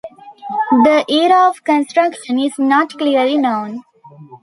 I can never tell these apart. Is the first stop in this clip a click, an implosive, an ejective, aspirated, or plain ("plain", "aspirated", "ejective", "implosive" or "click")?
plain